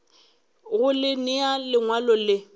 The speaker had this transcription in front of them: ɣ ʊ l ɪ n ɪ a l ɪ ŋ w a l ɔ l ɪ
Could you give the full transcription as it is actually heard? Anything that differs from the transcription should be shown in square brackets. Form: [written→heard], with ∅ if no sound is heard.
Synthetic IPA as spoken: ɣ ʊ l ɪ n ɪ a l ɪ ŋ w a l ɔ l ɪ